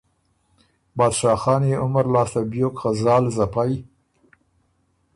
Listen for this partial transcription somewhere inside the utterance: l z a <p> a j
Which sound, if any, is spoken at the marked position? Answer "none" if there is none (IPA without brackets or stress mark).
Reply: p